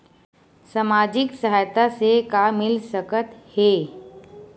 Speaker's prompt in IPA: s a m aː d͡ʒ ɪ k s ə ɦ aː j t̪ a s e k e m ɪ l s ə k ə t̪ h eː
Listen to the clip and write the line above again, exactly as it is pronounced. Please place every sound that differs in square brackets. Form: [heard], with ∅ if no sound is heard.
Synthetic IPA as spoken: s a m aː d͡ʒ ɪ k s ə ɦ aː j t̪ a s e k [a] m ɪ l s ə k ə t̪ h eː